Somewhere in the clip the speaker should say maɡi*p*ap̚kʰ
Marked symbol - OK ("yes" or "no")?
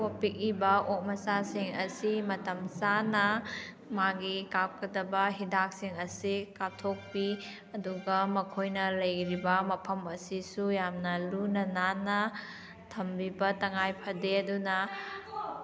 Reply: no